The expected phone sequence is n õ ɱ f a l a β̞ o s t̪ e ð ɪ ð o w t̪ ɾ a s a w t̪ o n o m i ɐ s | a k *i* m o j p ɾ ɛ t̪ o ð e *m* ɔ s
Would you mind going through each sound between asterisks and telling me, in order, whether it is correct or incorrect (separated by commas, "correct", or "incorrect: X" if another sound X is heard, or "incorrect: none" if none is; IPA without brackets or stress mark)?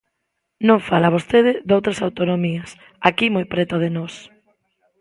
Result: correct, incorrect: n